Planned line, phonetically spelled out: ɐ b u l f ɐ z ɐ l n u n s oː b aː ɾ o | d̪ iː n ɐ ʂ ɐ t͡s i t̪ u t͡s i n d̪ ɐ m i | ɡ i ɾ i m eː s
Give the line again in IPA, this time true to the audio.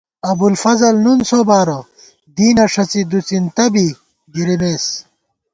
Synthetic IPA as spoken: ɐ b u l f ɐ z ɐ l n u n s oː b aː ɾ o | d̪ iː n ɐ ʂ ɐ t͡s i d̪ u t͡s i n t̪ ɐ b i | ɡ i ɾ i m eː s